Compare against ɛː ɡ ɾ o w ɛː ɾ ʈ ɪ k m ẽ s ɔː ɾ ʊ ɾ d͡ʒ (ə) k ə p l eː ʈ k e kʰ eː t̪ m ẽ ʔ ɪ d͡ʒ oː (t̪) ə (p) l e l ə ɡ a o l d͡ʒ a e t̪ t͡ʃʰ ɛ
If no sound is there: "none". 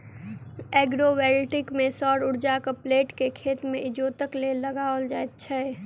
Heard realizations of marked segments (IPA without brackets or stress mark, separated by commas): a, t̪, k